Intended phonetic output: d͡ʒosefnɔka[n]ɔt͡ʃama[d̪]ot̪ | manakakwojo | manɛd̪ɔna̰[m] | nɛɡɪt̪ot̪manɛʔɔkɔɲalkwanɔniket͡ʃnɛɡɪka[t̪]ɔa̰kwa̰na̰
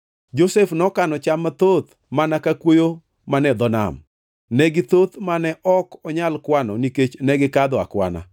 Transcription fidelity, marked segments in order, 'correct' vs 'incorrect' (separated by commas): correct, incorrect, correct, incorrect